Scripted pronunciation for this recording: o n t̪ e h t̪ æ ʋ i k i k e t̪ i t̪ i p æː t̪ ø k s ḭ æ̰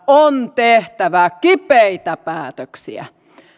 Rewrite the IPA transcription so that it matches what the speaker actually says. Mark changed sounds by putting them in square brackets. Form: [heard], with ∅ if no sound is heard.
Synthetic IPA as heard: o n t̪ e h t̪ æ ʋ [æ] k i [p] e [∅] i t̪ [æ] p æː t̪ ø k s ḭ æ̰